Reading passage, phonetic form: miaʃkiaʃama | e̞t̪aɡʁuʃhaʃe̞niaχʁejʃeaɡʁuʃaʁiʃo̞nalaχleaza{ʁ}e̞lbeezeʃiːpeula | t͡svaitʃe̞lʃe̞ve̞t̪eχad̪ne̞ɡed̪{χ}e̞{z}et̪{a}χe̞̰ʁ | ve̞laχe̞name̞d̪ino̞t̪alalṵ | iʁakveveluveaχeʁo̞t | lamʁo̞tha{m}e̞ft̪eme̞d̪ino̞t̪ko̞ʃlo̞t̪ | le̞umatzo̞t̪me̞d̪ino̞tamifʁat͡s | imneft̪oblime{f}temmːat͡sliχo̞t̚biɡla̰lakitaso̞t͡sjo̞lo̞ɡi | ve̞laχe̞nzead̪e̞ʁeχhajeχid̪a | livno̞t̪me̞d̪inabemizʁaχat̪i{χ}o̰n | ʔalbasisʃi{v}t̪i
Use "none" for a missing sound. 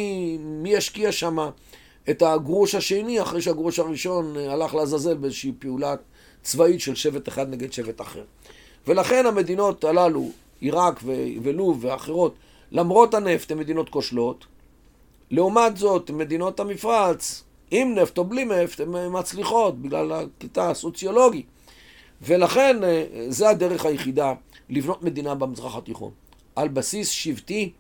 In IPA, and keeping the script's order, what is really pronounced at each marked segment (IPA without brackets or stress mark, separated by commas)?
z, ʃ, v, a, n, f, χ, v